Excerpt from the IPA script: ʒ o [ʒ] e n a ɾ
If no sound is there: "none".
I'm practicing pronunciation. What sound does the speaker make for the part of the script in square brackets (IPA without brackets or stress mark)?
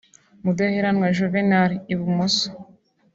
v